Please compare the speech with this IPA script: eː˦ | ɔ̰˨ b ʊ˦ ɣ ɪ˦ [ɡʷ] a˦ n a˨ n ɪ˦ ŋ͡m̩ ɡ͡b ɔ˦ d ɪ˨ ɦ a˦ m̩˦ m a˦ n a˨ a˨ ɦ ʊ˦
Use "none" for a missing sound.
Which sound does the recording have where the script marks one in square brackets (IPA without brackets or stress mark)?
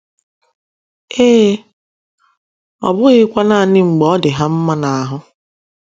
kʷ